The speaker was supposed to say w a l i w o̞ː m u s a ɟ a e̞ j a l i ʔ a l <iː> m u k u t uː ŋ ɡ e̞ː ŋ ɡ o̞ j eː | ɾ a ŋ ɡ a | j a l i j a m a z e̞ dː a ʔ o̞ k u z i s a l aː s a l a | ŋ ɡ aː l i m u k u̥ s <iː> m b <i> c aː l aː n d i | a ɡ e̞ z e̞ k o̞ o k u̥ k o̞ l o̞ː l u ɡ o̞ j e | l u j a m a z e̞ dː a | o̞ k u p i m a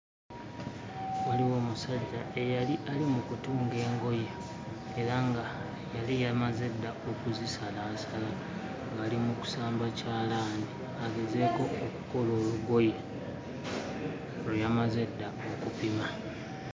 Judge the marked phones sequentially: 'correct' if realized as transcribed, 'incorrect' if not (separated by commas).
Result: incorrect, incorrect, incorrect